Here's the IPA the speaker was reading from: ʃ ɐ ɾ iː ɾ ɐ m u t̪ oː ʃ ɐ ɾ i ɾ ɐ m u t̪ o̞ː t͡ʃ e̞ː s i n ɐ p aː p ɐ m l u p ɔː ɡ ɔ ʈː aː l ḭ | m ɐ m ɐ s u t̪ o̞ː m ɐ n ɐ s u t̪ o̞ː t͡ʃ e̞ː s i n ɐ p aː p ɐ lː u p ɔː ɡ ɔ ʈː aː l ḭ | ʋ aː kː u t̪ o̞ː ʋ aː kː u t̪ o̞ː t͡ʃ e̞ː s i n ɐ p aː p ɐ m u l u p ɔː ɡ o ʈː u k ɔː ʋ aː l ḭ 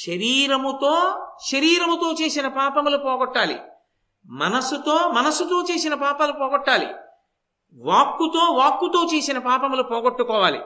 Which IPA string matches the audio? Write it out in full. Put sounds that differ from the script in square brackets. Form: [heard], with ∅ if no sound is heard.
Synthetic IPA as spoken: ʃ ɐ ɾ iː ɾ ɐ m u t̪ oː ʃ ɐ ɾ [iː] ɾ ɐ m u t̪ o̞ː t͡ʃ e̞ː s i n ɐ p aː p ɐ m l u p ɔː ɡ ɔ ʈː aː l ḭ | m ɐ [n] ɐ s u t̪ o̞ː m ɐ n ɐ s u t̪ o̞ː t͡ʃ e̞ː s i n ɐ p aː p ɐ [l] u p ɔː ɡ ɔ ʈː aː l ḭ | ʋ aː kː u t̪ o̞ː ʋ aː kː u t̪ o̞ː t͡ʃ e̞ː s i n ɐ p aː p ɐ m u l u p ɔː ɡ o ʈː u k ɔː ʋ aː l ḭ